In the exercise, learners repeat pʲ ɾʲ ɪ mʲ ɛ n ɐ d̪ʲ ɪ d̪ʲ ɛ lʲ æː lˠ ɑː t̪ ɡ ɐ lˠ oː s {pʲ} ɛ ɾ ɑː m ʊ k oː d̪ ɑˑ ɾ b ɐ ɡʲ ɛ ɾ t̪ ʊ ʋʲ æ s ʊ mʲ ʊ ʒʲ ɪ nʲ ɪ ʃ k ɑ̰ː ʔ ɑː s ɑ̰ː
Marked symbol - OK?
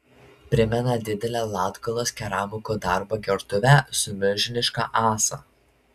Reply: no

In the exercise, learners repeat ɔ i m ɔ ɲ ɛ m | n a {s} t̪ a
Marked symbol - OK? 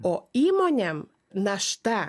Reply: no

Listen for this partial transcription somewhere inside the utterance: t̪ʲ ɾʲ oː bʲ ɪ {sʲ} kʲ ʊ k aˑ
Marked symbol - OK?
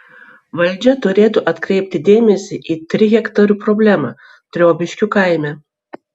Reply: no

